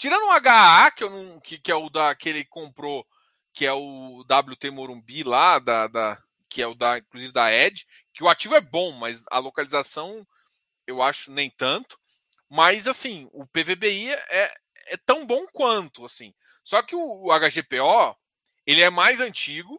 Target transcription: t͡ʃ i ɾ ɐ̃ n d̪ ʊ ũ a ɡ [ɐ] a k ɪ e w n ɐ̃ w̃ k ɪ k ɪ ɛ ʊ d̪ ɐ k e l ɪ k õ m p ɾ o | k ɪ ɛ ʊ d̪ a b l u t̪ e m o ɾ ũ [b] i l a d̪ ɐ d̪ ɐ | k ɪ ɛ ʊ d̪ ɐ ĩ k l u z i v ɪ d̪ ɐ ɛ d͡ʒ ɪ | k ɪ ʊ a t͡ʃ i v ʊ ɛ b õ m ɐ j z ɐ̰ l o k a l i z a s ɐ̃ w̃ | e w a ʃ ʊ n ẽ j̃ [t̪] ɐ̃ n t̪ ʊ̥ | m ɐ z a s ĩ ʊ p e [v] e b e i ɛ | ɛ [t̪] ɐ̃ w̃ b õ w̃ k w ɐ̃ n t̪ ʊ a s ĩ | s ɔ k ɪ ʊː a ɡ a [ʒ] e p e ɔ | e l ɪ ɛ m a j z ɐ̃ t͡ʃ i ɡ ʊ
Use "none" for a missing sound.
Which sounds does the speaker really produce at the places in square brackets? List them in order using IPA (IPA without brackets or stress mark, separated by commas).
a, b, t̪, v, t̪, ʒ